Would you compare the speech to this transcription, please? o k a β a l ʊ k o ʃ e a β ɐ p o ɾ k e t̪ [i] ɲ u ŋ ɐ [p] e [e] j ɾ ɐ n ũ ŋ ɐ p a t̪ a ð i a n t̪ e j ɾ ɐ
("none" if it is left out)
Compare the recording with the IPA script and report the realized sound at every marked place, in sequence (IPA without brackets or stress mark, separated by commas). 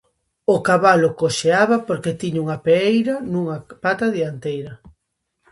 i, p, e